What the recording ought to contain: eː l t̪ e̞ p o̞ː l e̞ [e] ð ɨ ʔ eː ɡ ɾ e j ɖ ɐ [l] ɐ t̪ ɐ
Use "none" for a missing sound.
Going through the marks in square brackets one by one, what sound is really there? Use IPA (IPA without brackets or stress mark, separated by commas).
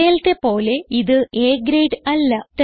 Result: i, lː